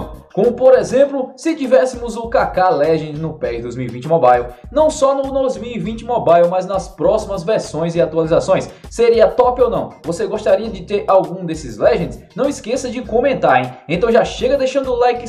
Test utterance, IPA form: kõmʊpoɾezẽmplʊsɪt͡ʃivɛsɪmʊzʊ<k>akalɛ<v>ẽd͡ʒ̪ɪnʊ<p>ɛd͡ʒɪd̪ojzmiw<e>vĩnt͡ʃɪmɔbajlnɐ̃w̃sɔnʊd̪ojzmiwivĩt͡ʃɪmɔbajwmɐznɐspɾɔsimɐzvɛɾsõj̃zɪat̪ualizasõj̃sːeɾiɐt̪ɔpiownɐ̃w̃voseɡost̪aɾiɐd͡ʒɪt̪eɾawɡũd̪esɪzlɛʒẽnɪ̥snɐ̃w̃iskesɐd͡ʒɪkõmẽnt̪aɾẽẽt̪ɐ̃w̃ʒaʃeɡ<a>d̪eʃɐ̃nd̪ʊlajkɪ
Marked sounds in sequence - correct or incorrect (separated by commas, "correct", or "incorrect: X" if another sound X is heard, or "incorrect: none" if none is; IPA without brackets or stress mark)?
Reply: correct, incorrect: ʒ, correct, incorrect: i, incorrect: ɐ